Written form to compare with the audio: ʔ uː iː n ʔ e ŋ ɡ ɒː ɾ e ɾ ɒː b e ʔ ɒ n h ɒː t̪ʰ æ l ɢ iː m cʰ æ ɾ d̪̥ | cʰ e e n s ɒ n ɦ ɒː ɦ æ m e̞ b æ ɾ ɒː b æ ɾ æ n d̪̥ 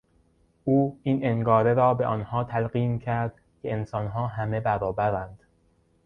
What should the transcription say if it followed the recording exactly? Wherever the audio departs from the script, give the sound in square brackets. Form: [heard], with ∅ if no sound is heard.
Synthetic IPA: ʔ uː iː n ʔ e ŋ ɡ ɒː ɾ e ɾ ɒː b e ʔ ɒ n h ɒː t̪ʰ æ l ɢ iː m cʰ æ ɾ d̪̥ | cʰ e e n s ɒ n ɦ ɒː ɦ æ m e̞ b æ ɾ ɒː b æ ɾ æ n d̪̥